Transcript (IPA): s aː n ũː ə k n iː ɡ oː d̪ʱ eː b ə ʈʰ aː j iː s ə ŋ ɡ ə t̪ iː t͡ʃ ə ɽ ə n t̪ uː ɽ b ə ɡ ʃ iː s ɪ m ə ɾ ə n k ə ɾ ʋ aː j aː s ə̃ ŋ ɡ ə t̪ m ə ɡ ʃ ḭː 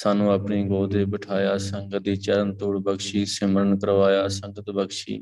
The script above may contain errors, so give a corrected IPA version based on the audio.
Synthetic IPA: s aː n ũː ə p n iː ɡ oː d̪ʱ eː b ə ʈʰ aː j aː s ə ŋ ɡ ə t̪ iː t͡ʃ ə ɾ ə n t̪ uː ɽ b ə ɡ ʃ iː s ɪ m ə ɾ ə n k ə ɾ ʋ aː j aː s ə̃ ŋ ɡ ə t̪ b ə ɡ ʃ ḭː